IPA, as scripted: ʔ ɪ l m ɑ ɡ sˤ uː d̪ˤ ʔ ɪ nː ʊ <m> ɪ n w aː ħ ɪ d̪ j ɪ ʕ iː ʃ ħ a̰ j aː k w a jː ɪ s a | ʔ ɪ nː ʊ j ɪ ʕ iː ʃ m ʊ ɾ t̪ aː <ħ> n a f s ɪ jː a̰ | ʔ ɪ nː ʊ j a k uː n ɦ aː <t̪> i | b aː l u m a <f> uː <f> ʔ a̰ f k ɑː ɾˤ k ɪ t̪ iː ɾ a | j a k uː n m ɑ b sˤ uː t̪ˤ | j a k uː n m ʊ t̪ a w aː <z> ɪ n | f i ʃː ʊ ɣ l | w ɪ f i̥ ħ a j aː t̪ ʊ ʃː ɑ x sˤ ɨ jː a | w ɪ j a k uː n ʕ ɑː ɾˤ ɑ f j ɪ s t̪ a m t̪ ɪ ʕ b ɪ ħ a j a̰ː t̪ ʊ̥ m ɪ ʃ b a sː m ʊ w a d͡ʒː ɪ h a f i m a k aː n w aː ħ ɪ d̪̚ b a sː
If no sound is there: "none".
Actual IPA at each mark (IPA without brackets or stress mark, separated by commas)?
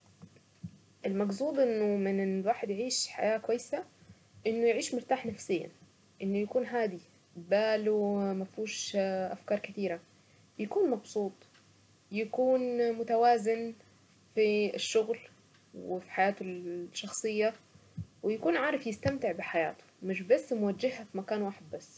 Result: m, ħ, d̪, f, ʃ, z